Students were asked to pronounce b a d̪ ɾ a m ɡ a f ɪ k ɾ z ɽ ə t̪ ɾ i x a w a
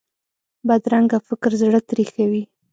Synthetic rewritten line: b a d̪ ɾ a ŋ ɡ a f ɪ k ɾ z ɽ ə t̪ ɾ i x a w i